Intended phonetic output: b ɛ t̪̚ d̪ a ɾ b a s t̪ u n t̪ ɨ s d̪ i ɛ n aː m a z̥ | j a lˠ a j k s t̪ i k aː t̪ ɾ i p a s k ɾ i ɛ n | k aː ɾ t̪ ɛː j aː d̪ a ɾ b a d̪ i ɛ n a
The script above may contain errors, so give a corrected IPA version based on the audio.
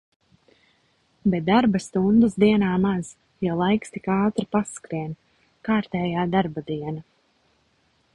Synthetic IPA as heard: b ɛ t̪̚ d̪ a ɾ b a s t̪ u n d̪ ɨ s d̪ i ɛ n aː m a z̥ | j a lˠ a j k s t̪ i k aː t̪ ɾ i p a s k ɾ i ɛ n | k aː ɾ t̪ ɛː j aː d̪ a ɾ b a d̪ i ɛ n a